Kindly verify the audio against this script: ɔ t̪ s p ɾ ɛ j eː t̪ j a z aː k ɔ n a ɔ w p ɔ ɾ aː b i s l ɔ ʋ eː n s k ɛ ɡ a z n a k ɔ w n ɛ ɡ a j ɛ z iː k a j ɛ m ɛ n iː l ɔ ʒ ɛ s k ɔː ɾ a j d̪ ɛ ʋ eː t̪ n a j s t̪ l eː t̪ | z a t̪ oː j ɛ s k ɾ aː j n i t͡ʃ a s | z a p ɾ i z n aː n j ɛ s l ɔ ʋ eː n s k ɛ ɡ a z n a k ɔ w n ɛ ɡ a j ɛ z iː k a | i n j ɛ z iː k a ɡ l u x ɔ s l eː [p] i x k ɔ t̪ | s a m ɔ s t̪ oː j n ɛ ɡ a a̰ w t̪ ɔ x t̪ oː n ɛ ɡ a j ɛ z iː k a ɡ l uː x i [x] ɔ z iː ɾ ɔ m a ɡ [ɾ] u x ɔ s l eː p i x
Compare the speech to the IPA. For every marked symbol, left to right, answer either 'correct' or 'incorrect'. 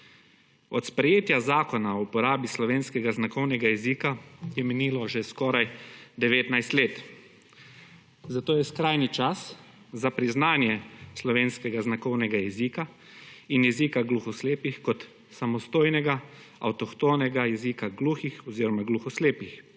correct, correct, incorrect

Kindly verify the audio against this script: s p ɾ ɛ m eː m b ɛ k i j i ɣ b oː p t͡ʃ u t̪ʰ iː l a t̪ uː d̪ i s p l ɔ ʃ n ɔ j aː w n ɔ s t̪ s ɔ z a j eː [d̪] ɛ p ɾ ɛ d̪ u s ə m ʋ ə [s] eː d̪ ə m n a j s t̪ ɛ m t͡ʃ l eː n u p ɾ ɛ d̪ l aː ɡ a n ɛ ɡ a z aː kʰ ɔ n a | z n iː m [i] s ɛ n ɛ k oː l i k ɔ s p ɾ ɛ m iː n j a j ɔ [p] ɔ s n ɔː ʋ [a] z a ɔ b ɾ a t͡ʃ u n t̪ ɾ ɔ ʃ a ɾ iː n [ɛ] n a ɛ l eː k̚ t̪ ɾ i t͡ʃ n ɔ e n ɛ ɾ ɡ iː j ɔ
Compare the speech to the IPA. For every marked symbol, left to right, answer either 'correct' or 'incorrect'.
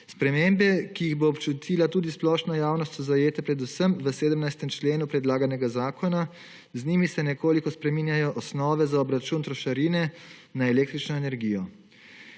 incorrect, correct, correct, incorrect, incorrect, correct

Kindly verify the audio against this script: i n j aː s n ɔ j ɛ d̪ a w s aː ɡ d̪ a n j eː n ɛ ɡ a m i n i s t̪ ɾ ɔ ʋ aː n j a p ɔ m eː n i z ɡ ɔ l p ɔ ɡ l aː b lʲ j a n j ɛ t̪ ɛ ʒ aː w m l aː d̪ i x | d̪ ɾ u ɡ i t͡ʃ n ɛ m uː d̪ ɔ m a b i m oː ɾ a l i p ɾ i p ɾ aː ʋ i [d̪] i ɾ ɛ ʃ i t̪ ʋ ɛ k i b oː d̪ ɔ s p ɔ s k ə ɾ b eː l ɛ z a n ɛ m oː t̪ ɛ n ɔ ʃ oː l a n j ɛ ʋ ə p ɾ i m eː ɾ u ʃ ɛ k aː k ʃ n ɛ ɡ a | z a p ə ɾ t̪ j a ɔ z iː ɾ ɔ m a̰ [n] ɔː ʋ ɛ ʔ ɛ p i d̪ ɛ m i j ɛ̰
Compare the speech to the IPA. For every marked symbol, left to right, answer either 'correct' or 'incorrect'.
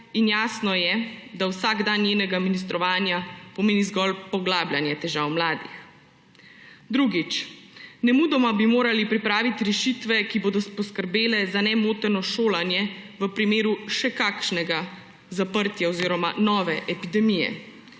incorrect, correct

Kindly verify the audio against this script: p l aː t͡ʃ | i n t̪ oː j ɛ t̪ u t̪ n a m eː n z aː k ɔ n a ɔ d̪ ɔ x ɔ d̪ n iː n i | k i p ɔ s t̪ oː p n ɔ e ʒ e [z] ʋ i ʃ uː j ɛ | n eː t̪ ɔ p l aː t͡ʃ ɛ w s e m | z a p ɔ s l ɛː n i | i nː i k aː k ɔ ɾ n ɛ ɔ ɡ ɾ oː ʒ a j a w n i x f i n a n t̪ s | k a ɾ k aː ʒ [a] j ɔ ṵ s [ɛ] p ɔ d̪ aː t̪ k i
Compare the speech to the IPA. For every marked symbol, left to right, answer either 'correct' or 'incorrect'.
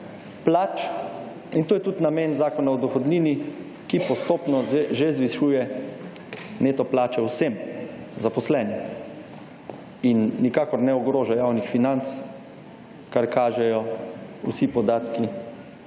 correct, incorrect, incorrect

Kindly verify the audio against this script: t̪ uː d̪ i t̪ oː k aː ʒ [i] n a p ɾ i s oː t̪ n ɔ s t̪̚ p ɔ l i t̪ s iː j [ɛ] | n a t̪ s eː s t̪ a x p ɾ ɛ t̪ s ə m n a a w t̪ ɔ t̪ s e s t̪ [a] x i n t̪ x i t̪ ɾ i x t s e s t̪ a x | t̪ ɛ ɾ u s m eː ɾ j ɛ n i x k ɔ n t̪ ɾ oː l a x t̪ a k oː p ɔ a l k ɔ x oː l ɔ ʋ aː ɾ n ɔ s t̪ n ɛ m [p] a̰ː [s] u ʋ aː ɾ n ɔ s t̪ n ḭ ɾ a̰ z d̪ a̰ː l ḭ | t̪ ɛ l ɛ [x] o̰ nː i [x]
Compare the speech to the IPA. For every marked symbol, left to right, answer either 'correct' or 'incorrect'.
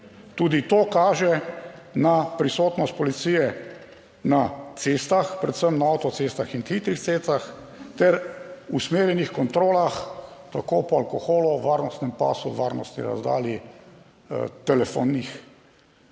incorrect, correct, correct, correct, correct, incorrect, correct

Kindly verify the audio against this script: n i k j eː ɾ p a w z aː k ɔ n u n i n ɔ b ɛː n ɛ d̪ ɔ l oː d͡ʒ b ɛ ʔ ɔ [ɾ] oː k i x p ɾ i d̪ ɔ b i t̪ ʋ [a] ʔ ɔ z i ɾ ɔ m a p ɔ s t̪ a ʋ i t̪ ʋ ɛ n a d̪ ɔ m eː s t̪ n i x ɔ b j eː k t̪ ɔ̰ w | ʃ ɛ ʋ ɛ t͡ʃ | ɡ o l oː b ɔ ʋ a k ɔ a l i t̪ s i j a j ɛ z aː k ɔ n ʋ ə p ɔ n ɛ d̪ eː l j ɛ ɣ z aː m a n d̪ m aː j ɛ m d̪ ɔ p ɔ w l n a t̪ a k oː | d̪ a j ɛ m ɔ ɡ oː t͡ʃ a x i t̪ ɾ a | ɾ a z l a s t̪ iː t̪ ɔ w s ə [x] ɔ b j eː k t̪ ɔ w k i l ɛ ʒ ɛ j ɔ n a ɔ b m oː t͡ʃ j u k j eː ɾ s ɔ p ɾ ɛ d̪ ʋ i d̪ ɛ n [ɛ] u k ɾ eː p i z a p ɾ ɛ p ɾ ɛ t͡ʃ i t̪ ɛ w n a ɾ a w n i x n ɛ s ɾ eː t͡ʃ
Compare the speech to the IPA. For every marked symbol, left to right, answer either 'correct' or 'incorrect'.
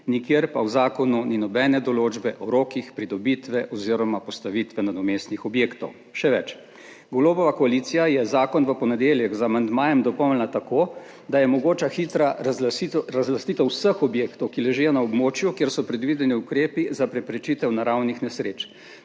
correct, incorrect, correct, incorrect

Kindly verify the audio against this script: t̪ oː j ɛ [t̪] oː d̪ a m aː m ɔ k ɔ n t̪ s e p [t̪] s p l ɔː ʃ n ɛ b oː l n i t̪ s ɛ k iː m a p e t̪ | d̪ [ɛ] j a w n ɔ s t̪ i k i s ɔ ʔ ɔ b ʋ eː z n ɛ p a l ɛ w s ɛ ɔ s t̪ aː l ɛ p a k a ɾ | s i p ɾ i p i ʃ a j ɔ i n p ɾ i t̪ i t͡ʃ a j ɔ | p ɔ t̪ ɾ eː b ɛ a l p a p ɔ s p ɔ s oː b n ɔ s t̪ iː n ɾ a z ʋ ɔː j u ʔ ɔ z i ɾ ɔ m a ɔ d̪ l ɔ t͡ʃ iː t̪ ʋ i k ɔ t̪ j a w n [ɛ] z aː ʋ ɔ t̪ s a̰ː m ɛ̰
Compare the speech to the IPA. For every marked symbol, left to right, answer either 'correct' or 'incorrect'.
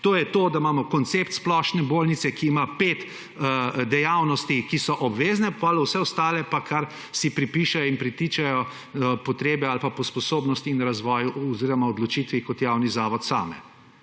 correct, correct, correct, incorrect

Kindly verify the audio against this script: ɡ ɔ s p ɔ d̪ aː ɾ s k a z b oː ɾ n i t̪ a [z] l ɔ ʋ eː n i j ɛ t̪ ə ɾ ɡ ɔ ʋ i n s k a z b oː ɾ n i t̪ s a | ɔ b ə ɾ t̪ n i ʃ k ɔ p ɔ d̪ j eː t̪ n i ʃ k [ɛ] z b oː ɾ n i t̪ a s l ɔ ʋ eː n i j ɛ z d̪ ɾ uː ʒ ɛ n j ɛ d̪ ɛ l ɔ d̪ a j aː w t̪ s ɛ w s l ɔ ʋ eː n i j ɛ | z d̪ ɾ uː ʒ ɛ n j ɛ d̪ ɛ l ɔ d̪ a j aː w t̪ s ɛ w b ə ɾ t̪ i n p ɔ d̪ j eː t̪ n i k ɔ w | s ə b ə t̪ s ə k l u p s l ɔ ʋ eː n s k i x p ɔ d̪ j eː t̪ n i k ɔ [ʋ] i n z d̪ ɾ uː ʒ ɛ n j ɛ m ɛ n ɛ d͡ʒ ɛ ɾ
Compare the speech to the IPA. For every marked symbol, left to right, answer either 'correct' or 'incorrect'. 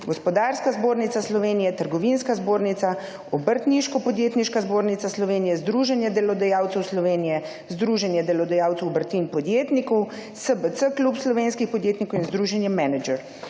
incorrect, incorrect, incorrect

